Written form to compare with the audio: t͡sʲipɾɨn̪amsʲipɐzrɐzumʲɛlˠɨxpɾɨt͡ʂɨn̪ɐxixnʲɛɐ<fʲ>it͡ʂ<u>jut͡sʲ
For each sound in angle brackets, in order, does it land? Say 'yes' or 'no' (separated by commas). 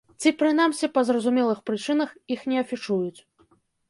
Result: yes, yes